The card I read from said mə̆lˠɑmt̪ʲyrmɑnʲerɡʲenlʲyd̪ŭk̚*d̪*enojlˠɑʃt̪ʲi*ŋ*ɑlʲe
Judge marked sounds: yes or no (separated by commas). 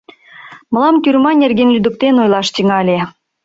no, yes